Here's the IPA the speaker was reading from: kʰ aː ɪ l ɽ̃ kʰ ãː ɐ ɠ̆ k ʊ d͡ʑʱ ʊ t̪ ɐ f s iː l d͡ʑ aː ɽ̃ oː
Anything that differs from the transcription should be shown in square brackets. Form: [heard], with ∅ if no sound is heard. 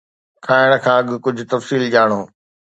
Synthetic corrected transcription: kʰ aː ɪ [∅] ɽ̃ kʰ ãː ɐ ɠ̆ k ʊ d͡ʑʱ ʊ t̪ ɐ f s iː l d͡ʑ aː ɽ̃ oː